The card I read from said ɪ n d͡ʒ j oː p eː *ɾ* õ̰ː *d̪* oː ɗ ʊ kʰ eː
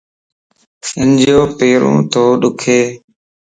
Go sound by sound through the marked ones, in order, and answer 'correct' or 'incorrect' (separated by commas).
correct, incorrect